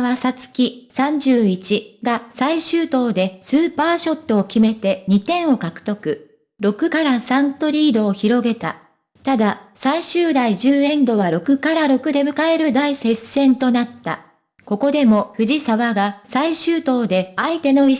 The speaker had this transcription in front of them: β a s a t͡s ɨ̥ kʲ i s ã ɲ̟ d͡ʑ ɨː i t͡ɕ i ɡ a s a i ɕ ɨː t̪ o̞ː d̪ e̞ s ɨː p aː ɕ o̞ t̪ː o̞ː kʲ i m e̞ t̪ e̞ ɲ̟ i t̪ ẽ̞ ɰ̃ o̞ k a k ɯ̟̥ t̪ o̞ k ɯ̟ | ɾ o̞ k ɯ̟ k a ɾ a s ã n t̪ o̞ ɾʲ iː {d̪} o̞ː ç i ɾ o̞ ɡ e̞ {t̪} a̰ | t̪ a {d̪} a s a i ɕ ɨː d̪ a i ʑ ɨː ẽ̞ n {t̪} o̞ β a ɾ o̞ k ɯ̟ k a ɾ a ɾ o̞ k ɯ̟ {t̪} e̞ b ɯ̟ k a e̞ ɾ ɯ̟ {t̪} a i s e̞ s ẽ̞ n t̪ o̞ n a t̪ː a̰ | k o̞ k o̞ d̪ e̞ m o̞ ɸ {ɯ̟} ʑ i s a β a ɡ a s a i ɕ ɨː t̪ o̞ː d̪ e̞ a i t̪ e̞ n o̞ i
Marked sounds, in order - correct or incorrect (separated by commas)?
correct, correct, correct, incorrect, incorrect, incorrect, correct